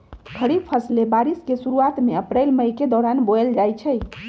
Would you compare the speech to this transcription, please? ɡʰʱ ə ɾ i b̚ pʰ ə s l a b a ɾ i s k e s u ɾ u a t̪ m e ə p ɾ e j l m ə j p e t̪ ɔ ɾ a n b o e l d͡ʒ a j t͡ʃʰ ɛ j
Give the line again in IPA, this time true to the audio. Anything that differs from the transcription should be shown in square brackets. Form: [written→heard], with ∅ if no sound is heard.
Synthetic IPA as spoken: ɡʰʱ ə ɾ i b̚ pʰ ə s l [a→e] b a ɾ i s k e s u ɾ u a t̪ m e ə p ɾ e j l m ə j [p→k] e [t̪→d̪] ɔ ɾ a n b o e l d͡ʒ a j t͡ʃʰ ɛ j